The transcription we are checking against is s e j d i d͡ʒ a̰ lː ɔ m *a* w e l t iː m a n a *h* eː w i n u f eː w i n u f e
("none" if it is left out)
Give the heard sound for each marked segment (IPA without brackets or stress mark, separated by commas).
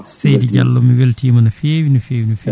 i, f